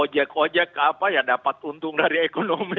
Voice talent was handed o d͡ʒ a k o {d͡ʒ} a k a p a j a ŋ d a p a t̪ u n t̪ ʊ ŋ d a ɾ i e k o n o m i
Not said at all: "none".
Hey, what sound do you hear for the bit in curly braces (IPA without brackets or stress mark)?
d͡ʒ